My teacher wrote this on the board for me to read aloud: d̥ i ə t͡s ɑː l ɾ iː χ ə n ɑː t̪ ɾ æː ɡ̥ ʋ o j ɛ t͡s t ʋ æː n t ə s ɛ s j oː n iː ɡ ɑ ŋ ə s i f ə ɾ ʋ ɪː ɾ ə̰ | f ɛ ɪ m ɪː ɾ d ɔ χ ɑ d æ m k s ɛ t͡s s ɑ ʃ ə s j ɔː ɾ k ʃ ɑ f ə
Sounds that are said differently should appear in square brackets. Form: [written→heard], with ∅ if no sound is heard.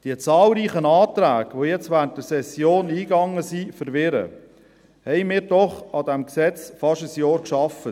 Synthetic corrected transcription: d̥ i ə t͡s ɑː l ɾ iː χ ə n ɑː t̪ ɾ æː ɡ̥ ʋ o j ɛ t͡s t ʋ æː n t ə s ɛ s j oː n iː ɡ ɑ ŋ ə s i f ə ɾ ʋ [ɪː→ɪ] ɾ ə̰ | [f→h] ɛ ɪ m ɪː ɾ d ɔ χ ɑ d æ m k s ɛ t͡s [s→f] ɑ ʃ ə s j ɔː ɾ k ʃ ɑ f ə